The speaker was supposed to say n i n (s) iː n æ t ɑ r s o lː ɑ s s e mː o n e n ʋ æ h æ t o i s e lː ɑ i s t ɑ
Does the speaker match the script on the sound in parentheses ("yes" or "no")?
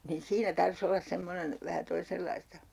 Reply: yes